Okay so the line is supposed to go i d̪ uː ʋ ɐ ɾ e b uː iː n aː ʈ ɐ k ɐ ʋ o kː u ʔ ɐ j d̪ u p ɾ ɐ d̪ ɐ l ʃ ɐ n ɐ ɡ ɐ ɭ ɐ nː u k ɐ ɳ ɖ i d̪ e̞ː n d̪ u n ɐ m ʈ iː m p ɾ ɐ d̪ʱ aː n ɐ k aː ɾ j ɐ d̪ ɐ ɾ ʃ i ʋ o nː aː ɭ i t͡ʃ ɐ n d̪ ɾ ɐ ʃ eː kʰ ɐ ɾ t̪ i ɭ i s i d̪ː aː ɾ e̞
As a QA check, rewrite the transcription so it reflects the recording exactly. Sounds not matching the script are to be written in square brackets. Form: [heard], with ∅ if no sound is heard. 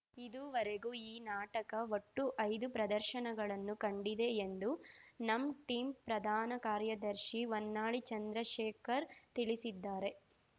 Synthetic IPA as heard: i d̪ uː ʋ ɐ ɾ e [ɡ] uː iː n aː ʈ ɐ k ɐ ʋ o [ʈː] u ʔ ɐ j d̪ u p ɾ ɐ d̪ ɐ [ɾ] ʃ ɐ n ɐ ɡ ɐ ɭ ɐ nː u k ɐ ɳ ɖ i d̪ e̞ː n d̪ u n ɐ m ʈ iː m p ɾ ɐ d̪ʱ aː n ɐ k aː ɾ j ɐ d̪ ɐ ɾ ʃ i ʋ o nː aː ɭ i t͡ʃ ɐ n d̪ ɾ ɐ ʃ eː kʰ ɐ ɾ t̪ i ɭ i s i d̪ː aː ɾ e̞

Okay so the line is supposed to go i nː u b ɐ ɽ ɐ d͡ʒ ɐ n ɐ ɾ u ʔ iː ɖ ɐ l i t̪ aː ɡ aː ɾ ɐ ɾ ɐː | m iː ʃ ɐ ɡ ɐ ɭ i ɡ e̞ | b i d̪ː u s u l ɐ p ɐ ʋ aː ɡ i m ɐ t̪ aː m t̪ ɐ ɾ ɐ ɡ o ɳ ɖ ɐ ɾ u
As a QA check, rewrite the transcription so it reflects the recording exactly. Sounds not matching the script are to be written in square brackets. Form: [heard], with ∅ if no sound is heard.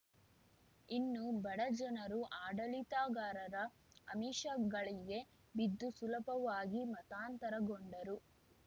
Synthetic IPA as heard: i nː u b ɐ ɽ ɐ d͡ʒ ɐ n ɐ ɾ u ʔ [aː] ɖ ɐ l i t̪ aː ɡ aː ɾ ɐ ɾ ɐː | m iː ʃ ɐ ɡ ɐ ɭ i ɡ e̞ | b i d̪ː u s u l ɐ p ɐ ʋ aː ɡ i m ɐ t̪ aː [n] t̪ ɐ ɾ ɐ ɡ o ɳ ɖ ɐ ɾ u

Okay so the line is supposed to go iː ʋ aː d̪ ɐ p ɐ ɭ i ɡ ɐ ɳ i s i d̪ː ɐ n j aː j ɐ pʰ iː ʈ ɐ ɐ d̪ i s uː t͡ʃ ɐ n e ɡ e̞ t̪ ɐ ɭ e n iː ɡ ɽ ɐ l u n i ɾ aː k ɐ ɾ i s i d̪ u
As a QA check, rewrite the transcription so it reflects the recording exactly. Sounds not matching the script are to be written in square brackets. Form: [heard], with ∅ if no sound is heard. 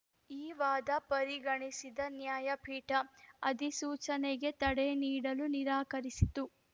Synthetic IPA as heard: iː ʋ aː d̪ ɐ p ɐ [ɾ] i ɡ ɐ ɳ i s i [d̪] ɐ n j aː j ɐ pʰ iː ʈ ɐ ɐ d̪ i s uː t͡ʃ ɐ n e ɡ e̞ t̪ ɐ [ɽ] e n iː [∅] ɽ ɐ l u n i ɾ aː k ɐ ɾ i s i [t̪] u

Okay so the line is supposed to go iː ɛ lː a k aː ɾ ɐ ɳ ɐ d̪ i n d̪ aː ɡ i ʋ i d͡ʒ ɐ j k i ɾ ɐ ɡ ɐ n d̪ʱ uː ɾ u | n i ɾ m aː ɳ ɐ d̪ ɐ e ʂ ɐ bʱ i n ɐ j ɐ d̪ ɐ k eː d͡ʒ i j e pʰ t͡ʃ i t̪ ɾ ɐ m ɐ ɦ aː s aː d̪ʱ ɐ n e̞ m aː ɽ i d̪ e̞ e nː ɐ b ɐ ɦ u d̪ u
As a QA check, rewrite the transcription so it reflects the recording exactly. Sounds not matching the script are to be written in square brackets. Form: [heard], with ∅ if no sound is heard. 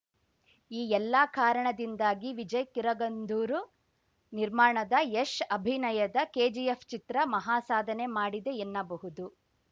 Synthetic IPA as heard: iː ɛ lː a k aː ɾ ɐ ɳ ɐ d̪ i n d̪ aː ɡ i ʋ i d͡ʒ ɐ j k i ɾ ɐ ɡ ɐ n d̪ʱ uː ɾ u | n i ɾ m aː ɳ ɐ d̪ ɐ e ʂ ɐ bʱ i n ɐ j ɐ d̪ ɐ k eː d͡ʒ i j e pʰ t͡ʃ i t̪ ɾ ɐ m ɐ ɦ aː s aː d̪ʱ ɐ n e̞ m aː ɽ i d̪ e̞ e nː ɐ b ɐ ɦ u d̪ u

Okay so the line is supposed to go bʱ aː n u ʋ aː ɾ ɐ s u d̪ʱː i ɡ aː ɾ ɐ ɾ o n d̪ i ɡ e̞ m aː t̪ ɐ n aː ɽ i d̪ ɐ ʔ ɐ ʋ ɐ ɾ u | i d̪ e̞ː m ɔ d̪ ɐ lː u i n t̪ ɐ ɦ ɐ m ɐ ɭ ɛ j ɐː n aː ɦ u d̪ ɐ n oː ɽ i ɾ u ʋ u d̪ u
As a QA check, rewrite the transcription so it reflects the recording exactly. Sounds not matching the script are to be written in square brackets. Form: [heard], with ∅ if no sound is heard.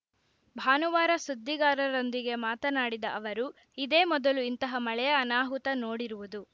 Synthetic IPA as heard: bʱ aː n u ʋ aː ɾ ɐ s u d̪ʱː i ɡ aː ɾ ɐ ɾ o n d̪ i ɡ e̞ m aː t̪ ɐ n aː ɽ i d̪ ɐ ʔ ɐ ʋ ɐ ɾ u | i d̪ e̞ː m ɔ d̪ ɐ [l] u i n t̪ ɐ ɦ ɐ m ɐ ɭ ɛ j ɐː n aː ɦ u [t̪] ɐ n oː ɽ i ɾ u ʋ u d̪ u

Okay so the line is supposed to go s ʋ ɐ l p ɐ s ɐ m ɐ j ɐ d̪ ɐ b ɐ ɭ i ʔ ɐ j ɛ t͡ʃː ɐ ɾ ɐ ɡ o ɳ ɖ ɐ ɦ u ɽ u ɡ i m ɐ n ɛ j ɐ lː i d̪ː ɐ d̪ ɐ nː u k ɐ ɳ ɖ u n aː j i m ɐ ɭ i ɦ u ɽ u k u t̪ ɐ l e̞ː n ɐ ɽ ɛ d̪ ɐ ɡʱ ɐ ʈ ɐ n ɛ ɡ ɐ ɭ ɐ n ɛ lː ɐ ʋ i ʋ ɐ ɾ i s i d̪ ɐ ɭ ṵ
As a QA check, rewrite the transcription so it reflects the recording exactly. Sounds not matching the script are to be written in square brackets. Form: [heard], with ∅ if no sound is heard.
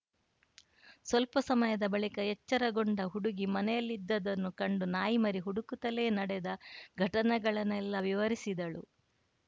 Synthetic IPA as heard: s ʋ ɐ l p ɐ s ɐ m ɐ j ɐ d̪ ɐ b ɐ ɭ i [k] ɐ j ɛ t͡ʃː ɐ ɾ ɐ ɡ o ɳ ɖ ɐ ɦ u ɽ u ɡ i m ɐ n ɛ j ɐ lː i d̪ː ɐ d̪ ɐ nː u k ɐ ɳ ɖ u n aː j i m ɐ [ɾ] i ɦ u ɽ u k u t̪ ɐ l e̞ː n ɐ ɽ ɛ d̪ ɐ ɡʱ ɐ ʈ ɐ n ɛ ɡ ɐ ɭ ɐ n ɛ lː ɐ ʋ i ʋ ɐ ɾ i s i d̪ ɐ ɭ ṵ

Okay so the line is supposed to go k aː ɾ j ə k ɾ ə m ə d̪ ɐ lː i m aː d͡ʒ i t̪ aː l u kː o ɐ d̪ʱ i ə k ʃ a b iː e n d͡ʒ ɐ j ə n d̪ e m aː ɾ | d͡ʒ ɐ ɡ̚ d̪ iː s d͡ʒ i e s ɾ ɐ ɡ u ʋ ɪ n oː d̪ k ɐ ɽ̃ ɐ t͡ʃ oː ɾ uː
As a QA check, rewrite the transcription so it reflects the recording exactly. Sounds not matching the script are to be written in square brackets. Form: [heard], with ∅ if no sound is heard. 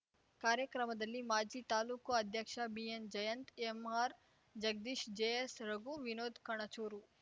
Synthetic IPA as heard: k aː ɾ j ə k ɾ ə m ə d̪ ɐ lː i m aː d͡ʒ i t̪ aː l u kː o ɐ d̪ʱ [j] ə k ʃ a b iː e n d͡ʒ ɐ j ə n [t̪] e m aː ɾ | d͡ʒ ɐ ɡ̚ d̪ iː [ʃ] d͡ʒ [e] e s ɾ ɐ ɡ u ʋ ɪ n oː d̪ k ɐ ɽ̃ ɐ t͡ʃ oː ɾ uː

